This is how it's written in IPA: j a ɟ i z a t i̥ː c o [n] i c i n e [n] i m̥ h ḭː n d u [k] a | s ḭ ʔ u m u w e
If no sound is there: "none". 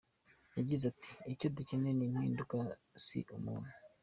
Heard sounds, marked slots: d, n, k

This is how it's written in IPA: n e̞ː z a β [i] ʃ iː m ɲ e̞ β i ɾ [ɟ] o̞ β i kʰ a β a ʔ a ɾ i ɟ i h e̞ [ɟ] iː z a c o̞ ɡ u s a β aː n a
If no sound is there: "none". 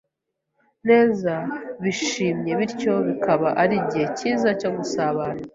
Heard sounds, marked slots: i, c, c

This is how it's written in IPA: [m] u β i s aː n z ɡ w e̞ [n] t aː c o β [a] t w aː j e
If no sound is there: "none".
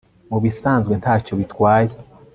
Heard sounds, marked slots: m, n, i

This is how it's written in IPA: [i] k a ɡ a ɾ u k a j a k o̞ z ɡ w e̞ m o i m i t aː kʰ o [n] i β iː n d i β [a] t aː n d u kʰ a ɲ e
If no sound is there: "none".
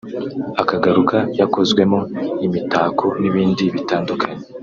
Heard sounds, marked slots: a, n, i

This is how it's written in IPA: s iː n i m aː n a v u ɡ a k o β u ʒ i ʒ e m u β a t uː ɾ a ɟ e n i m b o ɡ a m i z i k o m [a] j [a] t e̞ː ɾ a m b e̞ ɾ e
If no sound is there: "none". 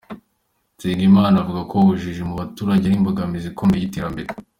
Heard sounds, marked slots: e, i

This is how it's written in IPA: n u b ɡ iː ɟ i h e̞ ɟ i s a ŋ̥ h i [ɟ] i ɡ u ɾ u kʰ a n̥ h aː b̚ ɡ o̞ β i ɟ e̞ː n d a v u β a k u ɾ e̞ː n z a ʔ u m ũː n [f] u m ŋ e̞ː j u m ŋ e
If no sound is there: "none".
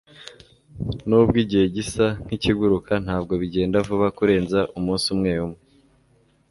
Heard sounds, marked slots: c, s

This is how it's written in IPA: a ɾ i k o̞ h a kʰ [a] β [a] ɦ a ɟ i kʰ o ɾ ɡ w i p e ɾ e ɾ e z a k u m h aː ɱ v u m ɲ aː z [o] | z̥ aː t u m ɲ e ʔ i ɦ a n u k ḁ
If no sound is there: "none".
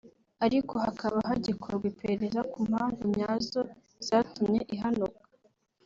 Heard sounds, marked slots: a, a, o

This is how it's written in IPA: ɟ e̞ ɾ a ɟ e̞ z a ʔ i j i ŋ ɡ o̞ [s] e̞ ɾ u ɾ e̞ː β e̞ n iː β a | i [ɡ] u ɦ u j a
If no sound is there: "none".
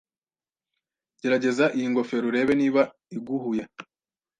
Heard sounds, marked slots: f, ɡ

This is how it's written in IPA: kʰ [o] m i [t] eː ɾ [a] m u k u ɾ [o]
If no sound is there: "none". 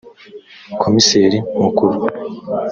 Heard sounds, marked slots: o, s, i, u

